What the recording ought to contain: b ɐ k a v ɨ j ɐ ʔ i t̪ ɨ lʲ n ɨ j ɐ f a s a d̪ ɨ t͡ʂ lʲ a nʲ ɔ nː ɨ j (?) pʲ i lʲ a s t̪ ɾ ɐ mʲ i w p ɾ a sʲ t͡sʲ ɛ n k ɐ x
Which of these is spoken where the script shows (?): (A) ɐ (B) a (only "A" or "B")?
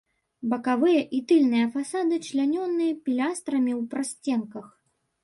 A